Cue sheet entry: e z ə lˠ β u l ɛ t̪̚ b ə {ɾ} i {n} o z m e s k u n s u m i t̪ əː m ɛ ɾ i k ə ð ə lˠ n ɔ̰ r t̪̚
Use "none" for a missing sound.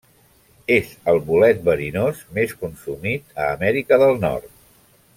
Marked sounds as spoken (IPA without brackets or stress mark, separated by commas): ɾ, n